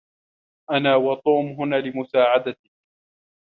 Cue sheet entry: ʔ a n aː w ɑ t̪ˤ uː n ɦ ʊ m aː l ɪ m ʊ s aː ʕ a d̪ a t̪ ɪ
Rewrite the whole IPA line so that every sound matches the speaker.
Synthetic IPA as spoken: ʔ a n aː w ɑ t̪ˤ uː m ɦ ʊ n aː l ɪ m ʊ s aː ʕ a d̪ a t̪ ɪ